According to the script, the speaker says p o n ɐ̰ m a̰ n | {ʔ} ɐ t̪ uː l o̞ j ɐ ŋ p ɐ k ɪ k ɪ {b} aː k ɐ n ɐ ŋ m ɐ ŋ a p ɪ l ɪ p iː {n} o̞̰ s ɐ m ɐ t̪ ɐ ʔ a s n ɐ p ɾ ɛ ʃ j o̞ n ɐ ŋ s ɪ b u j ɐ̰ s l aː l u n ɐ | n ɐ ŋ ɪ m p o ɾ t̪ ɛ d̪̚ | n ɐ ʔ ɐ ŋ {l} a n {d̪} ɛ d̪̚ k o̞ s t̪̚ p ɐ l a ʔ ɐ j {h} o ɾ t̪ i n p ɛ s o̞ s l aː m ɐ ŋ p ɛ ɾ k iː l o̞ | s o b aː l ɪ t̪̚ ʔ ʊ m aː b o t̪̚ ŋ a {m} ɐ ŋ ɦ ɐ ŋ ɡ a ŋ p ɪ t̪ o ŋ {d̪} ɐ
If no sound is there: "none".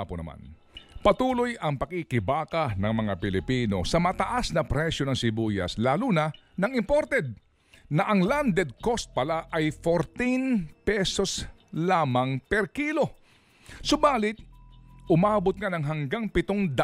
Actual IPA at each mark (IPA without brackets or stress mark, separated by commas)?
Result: p, b, n, l, d̪, f, n, d̪